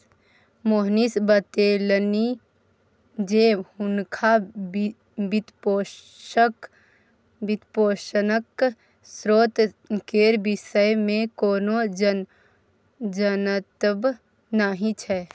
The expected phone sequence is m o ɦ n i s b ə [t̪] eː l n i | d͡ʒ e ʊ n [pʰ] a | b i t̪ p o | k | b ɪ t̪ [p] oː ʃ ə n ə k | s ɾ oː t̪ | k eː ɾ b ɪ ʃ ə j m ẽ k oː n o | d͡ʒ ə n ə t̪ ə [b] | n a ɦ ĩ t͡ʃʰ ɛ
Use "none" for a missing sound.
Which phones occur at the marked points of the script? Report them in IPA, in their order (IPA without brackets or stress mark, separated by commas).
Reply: t̪, kʰ, p, b